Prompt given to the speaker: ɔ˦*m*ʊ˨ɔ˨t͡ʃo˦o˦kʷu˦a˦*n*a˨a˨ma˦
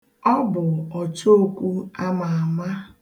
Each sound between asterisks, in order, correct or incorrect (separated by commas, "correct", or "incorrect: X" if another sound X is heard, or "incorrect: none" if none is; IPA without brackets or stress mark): incorrect: b, incorrect: m